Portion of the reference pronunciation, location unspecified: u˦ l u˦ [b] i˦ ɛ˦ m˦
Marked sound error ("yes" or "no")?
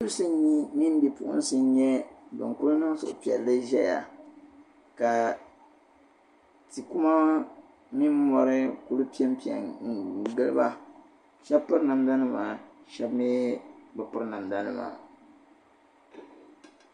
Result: yes